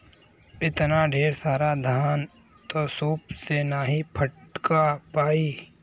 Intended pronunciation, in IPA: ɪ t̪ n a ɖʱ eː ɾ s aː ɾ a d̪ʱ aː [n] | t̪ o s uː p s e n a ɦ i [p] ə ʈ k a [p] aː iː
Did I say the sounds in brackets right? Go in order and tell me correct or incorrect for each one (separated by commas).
correct, incorrect, correct